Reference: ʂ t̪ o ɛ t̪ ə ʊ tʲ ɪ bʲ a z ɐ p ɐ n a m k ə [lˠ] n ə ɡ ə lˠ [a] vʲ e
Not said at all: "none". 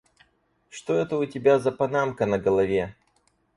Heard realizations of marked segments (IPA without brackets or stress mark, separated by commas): none, ɐ